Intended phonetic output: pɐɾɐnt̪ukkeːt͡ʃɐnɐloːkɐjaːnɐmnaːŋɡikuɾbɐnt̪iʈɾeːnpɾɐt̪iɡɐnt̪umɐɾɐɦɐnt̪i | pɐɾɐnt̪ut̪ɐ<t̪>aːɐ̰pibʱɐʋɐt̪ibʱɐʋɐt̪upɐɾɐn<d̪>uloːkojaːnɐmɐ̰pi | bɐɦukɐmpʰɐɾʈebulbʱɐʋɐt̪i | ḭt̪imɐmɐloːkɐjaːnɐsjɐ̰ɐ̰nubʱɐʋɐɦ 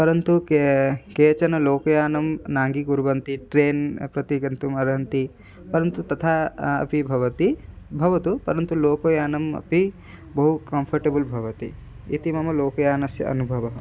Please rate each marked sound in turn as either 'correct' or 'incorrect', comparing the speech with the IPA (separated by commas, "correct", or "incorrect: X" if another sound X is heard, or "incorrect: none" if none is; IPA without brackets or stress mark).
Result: incorrect: t̪ʰ, incorrect: t̪